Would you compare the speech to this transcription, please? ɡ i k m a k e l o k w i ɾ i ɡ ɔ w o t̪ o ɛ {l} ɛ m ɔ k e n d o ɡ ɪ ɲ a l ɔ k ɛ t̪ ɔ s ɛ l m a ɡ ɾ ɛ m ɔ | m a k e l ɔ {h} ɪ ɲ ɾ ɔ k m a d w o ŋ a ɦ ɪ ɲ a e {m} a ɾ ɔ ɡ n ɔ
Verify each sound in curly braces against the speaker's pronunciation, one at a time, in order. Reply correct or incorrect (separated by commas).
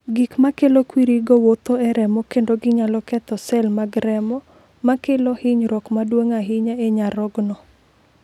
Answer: incorrect, correct, incorrect